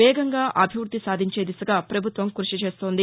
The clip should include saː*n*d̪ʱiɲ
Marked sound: incorrect: none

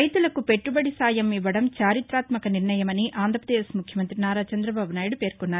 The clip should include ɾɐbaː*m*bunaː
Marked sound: incorrect: none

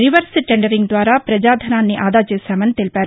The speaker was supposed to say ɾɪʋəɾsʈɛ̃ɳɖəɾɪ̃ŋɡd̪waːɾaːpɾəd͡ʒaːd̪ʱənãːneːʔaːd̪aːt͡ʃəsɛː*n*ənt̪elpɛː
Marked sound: incorrect: m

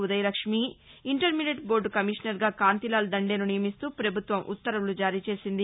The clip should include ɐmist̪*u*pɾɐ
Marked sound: incorrect: uː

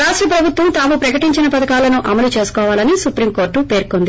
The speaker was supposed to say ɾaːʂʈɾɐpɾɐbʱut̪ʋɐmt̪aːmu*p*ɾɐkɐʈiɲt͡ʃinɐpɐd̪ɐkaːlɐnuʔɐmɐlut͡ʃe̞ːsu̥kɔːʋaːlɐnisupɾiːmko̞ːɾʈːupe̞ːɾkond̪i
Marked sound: correct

